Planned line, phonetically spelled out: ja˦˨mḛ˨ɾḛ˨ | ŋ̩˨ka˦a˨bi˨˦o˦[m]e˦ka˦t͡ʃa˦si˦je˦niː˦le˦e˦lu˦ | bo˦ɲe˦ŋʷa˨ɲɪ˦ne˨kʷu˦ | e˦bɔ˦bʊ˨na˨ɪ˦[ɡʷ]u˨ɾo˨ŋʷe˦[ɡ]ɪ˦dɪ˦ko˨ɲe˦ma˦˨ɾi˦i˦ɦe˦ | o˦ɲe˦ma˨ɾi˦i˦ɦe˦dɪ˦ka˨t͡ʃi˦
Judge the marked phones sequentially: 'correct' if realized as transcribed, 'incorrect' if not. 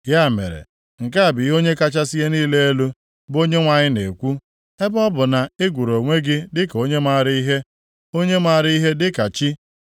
incorrect, correct, correct

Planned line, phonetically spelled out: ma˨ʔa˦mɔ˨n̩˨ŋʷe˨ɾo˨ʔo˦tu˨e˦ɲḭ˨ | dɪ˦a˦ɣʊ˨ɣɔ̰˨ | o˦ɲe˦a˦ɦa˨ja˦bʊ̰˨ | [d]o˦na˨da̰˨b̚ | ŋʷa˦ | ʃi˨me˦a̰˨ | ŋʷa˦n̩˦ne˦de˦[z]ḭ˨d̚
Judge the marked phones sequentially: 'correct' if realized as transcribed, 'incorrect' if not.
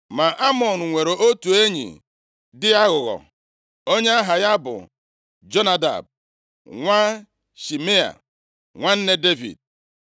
incorrect, incorrect

